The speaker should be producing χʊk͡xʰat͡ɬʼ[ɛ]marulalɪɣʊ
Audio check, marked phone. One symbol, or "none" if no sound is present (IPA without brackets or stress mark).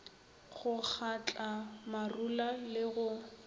a